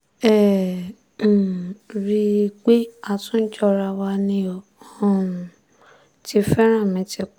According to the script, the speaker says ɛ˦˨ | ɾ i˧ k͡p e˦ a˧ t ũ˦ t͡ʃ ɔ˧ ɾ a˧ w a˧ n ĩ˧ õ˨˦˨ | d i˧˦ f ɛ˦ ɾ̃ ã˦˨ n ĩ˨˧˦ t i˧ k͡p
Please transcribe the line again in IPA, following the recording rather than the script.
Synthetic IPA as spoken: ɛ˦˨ | ɾ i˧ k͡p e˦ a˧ t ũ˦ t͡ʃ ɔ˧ ɾ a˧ w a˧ n ĩ˧ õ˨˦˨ | t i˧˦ f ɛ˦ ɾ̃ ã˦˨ m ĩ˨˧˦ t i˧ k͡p